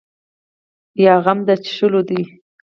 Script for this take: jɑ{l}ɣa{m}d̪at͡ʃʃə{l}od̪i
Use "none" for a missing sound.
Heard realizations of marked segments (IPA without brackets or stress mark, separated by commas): none, m, l